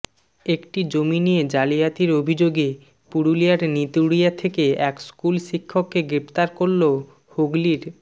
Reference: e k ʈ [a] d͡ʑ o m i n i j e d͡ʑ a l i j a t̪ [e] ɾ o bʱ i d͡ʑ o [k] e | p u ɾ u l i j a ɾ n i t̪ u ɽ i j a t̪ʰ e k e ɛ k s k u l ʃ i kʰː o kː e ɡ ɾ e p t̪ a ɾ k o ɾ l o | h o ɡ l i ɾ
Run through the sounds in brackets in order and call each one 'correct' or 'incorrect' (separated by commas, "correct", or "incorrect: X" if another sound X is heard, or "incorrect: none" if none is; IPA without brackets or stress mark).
incorrect: i, incorrect: i, incorrect: ɡ